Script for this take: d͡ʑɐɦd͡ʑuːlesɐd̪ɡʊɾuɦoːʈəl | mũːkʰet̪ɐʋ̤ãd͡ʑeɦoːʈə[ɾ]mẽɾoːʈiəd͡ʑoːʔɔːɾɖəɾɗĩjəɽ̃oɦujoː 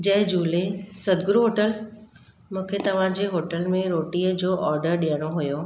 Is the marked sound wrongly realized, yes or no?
yes